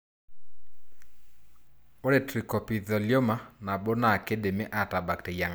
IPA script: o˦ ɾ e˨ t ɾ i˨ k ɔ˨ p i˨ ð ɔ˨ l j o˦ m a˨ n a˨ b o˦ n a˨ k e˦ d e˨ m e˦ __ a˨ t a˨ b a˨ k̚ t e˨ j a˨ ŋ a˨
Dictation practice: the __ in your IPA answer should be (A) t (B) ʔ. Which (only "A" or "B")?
B